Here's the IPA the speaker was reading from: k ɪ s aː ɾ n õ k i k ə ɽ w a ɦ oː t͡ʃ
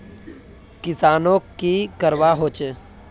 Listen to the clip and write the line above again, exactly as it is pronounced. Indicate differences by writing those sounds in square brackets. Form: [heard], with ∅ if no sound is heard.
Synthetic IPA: k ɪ s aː [∅] n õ k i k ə [ɾ] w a ɦ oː t͡ʃ